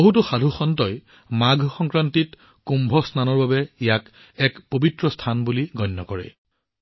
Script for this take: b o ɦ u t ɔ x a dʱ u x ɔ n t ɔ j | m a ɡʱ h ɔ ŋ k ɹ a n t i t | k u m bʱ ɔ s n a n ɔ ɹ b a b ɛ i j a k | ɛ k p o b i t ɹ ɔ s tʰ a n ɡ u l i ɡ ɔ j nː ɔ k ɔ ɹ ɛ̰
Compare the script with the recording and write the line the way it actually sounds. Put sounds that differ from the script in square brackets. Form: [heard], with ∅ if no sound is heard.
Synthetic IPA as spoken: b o ɦ u t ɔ x a dʱ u x ɔ n t ɔ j | m a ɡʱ [x] ɔ ŋ k ɹ a n t i t | k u m bʱ ɔ s n a n ɔ ɹ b a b ɛ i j a k | ɛ k p o b i t ɹ ɔ s tʰ a n [b] u l i ɡ ɔ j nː ɔ k ɔ ɹ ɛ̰